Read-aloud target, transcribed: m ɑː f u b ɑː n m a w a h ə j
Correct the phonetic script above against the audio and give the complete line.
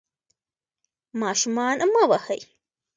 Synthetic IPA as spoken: m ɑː ʃ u m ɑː n m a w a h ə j